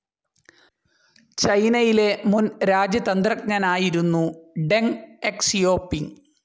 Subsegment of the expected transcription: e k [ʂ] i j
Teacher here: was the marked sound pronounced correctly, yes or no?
no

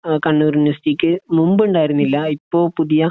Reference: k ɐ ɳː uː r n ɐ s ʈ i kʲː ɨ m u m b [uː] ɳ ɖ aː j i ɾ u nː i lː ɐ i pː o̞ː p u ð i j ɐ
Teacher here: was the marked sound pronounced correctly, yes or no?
no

